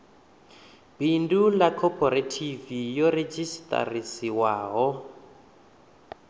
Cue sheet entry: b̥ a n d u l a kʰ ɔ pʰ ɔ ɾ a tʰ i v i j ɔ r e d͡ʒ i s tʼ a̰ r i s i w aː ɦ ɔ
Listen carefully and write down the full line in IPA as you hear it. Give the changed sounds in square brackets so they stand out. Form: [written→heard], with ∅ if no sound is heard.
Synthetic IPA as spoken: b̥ [a→i] n d u l a kʰ ɔ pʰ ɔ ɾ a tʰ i v i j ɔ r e d͡ʒ i s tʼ a̰ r i s i w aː ɦ ɔ